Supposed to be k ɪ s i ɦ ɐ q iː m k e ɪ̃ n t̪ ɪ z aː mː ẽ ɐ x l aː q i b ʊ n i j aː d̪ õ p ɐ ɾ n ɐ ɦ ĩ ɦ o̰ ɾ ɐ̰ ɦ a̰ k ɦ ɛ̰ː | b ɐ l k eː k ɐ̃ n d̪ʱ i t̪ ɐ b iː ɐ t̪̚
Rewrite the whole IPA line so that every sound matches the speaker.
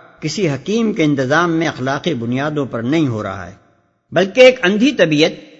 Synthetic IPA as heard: k ɪ s i ɦ ɐ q iː m k e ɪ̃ n t̪ ɪ z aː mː ẽ ɐ x l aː q i b ʊ n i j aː d̪ õ p ɐ ɾ n ɐ ɦ ĩ ɦ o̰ ɾ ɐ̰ ɦ a̰ ɦ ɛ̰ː | b ɐ l k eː k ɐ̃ n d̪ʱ i t̪ ɐ b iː ə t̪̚